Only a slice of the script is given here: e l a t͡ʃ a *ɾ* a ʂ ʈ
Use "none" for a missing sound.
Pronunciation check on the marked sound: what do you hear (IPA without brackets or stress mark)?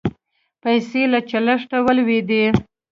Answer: l